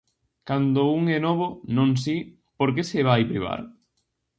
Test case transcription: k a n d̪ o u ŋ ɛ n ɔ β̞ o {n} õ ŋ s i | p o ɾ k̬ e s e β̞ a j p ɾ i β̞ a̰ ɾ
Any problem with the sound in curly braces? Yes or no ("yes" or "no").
no